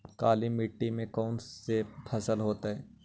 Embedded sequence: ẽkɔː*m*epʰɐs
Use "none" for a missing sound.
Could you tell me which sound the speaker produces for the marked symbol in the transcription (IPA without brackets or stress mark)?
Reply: n